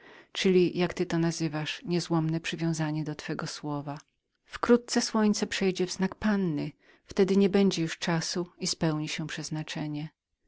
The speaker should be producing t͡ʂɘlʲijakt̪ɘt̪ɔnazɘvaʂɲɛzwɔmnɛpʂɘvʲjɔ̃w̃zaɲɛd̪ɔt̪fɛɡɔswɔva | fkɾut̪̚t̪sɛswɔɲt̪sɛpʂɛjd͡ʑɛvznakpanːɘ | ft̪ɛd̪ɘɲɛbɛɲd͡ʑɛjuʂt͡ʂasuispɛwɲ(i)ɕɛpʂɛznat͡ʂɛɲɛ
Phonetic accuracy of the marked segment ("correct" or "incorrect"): correct